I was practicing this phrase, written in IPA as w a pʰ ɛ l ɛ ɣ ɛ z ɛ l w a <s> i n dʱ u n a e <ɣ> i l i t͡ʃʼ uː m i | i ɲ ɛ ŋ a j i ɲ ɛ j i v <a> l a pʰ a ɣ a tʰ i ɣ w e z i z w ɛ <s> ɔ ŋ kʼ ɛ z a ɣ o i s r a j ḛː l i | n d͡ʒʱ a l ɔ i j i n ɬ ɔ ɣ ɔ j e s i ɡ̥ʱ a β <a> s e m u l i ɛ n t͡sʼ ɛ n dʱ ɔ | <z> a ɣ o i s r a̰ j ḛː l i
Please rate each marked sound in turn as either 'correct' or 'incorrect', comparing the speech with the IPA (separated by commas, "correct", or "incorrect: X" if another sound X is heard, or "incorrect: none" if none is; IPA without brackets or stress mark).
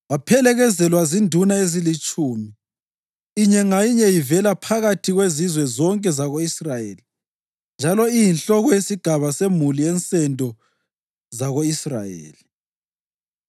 incorrect: z, incorrect: z, incorrect: ɛ, incorrect: z, correct, correct